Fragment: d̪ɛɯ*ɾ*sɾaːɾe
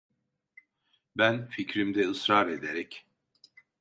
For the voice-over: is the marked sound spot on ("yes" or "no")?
no